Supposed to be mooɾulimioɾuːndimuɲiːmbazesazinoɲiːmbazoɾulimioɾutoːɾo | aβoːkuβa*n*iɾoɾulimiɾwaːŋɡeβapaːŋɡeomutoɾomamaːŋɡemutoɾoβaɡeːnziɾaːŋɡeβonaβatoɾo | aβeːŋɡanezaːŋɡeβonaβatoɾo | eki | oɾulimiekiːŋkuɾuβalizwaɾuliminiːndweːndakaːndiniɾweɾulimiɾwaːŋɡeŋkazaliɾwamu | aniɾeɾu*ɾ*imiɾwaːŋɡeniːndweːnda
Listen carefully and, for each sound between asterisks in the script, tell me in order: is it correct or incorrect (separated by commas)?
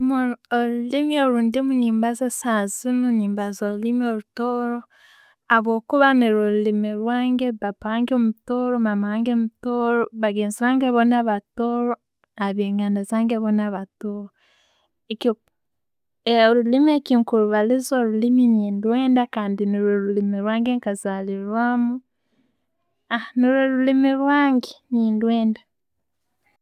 correct, incorrect